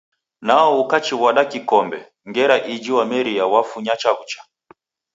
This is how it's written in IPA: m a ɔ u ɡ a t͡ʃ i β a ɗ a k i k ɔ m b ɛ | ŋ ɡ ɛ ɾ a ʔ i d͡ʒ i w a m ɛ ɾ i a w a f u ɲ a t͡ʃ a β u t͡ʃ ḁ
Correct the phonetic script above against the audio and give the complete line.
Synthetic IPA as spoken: n a ɔ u k a t͡ʃ i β a ɗ a k i k ɔ m b ɛ | ŋ ɡ ɛ ɾ a ʔ i d͡ʒ i w a m ɛ ɾ i a w a f u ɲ a t͡ʃ a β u t͡ʃ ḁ